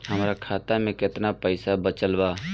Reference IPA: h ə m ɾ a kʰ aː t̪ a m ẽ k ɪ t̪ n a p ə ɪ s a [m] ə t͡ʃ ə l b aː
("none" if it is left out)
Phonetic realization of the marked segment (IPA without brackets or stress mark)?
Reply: b